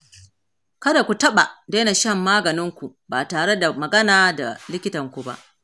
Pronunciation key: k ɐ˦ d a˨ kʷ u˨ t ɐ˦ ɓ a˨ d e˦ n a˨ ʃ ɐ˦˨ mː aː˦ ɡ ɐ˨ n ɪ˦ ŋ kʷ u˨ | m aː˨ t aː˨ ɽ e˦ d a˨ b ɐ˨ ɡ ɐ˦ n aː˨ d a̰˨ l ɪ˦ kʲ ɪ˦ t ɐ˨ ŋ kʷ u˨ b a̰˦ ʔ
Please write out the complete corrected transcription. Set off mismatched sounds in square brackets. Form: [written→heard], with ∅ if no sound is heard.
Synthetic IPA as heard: k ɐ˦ d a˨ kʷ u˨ t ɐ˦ ɓ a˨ d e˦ n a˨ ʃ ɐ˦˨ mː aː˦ ɡ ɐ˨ n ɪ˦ ŋ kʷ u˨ | [m→b] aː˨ t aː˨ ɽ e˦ d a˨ [b→m] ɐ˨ ɡ ɐ˦ n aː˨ d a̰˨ l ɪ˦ kʲ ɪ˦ t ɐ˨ ŋ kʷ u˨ b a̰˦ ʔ

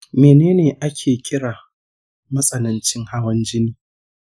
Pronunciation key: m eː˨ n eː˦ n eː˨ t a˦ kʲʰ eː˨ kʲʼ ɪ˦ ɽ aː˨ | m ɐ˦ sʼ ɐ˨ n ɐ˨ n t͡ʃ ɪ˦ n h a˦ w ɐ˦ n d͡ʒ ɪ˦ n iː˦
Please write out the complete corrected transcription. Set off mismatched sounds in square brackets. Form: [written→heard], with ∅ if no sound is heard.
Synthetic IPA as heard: m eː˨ n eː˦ n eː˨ [t→ʔ] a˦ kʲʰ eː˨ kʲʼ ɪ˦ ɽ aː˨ | m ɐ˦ sʼ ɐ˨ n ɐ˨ n t͡ʃ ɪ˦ [n→ŋ] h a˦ w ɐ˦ n d͡ʒ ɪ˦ n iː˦

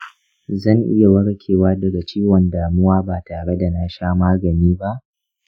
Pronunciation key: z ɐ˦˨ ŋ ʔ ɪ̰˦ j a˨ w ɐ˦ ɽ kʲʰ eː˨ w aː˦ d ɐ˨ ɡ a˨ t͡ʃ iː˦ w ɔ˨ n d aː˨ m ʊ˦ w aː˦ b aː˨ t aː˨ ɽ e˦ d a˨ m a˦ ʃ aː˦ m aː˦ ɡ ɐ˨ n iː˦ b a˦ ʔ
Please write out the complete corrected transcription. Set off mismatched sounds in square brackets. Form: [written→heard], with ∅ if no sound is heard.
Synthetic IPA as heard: z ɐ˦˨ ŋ ʔ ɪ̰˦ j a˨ w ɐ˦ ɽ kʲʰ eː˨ w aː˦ d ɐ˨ ɡ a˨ t͡ʃ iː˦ w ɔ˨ n d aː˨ m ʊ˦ w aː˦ b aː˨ t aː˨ ɽ e˦ d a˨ [m→n] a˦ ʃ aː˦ m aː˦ ɡ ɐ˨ n iː˦ b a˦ ʔ

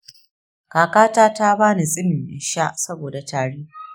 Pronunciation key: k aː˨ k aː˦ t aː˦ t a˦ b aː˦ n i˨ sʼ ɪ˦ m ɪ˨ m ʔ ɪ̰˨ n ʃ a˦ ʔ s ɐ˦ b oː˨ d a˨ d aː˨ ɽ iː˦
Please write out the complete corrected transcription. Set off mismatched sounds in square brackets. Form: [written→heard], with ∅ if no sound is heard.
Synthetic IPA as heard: k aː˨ k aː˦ t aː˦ t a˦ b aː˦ n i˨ sʼ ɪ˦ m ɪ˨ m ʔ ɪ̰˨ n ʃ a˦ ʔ s ɐ˦ b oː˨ d a˨ [d→t] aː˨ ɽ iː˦

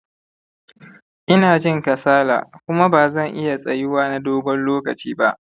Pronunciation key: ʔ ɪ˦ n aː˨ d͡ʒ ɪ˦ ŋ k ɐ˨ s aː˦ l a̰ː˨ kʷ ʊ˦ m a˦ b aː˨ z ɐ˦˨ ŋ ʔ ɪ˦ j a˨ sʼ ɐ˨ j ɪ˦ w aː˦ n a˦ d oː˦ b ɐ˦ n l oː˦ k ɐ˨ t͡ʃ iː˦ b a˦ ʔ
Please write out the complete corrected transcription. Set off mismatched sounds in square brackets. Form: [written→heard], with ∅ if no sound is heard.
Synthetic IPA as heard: ʔ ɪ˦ n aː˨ d͡ʒ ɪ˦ ŋ k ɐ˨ s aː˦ l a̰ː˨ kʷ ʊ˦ m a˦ b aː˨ z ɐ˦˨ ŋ ʔ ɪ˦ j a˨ sʼ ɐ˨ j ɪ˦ w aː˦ n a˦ d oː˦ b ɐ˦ n l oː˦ k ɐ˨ t͡ʃ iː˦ b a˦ ʔ

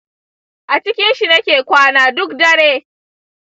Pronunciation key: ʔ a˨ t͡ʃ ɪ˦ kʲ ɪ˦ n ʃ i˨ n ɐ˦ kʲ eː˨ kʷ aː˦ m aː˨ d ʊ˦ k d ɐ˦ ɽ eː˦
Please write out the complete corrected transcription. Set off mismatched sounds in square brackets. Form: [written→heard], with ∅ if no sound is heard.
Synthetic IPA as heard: ʔ a˨ t͡ʃ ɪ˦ kʲ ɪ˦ n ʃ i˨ n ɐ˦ kʲ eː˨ kʷ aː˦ [m→n] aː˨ d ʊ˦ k d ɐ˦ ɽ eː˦

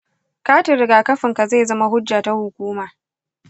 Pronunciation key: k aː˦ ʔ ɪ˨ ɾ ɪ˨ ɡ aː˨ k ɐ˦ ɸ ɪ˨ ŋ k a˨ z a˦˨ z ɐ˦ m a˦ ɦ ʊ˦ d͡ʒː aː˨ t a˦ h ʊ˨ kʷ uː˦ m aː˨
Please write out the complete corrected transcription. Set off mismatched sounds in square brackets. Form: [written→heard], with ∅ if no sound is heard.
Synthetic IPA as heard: k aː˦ [ʔ→t] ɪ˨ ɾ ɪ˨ ɡ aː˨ k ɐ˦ ɸ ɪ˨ ŋ k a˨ z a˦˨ z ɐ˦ m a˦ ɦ ʊ˦ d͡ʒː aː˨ t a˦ h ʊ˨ kʷ uː˦ m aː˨

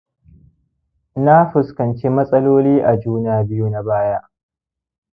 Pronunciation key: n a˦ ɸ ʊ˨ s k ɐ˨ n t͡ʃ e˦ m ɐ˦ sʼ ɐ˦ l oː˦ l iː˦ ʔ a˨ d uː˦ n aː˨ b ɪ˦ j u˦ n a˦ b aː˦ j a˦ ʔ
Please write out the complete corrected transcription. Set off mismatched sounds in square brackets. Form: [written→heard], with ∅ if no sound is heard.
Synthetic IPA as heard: n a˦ ɸ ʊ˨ s k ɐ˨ n t͡ʃ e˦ m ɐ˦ sʼ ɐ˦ l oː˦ l iː˦ ʔ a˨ [d→d͡ʒ] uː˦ n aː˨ b ɪ˦ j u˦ n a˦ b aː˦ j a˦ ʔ

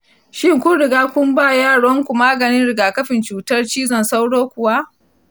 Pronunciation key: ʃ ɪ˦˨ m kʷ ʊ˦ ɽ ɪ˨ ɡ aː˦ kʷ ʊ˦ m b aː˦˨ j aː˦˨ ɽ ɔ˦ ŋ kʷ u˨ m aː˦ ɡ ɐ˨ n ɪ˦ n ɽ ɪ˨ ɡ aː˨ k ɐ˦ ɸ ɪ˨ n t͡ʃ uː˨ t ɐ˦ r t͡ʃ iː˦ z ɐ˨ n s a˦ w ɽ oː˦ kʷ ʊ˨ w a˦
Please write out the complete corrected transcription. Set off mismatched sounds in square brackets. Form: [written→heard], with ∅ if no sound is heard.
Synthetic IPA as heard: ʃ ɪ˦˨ [m→ŋ] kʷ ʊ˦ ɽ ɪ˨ ɡ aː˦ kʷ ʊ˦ m b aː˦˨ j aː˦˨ ɽ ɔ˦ ŋ kʷ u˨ m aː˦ ɡ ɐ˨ n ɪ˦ n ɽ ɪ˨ ɡ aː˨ k ɐ˦ ɸ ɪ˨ n t͡ʃ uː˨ t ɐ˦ r t͡ʃ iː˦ z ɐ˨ n s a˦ w ɽ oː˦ kʷ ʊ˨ w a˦

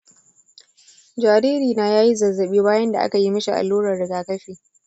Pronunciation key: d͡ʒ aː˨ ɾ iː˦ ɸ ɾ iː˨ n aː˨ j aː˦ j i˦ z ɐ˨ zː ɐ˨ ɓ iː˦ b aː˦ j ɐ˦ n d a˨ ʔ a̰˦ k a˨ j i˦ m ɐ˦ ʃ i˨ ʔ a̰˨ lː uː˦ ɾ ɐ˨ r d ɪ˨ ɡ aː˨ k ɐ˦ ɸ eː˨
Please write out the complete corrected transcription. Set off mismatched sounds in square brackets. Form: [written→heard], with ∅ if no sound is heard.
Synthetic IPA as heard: d͡ʒ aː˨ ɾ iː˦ [ɸ→∅] ɾ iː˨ n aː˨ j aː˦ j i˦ z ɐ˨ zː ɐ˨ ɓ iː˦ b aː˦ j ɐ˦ n d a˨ ʔ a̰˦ k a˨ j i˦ m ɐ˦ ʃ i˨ ʔ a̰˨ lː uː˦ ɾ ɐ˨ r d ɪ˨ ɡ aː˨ k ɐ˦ ɸ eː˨

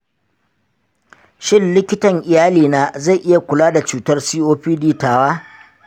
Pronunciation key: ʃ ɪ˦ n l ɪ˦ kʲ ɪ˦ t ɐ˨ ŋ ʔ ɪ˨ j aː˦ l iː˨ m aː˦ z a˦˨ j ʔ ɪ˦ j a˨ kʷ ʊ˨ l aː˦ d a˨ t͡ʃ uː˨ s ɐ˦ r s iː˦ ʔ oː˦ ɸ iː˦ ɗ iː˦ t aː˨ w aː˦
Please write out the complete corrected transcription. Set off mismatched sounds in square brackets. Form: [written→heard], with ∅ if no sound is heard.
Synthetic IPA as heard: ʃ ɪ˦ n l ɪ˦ kʲ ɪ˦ t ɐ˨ ŋ ʔ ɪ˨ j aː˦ l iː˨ [m→n] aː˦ z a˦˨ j ʔ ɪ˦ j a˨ kʷ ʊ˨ l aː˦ d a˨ t͡ʃ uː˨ [s→t] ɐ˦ r s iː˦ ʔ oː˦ ɸ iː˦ [ɗ→d] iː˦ t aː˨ w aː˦

